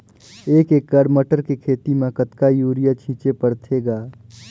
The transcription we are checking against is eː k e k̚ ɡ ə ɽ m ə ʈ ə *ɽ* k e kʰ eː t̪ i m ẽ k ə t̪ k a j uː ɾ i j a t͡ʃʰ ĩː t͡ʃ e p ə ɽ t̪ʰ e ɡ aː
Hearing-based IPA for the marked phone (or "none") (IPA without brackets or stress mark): ɾ